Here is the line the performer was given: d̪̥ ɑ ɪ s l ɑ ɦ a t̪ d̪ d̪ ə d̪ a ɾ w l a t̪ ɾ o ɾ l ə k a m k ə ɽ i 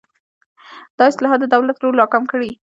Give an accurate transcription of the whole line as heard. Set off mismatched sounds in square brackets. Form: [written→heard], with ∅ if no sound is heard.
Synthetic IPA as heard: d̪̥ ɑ ɪ s l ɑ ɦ [a→ɑ] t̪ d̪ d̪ ə d̪ a [ɾ→∅] w l a t̪ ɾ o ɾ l [ə→ɑ] k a m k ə ɽ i